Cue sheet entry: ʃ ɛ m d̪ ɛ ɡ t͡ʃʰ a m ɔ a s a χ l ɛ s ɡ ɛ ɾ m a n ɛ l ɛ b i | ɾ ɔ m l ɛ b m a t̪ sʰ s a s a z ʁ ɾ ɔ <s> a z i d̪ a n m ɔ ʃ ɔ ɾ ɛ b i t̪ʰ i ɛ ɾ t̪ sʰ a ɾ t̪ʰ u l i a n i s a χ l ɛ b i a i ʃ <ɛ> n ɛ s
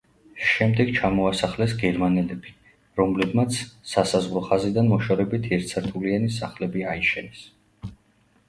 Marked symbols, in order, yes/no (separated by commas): no, yes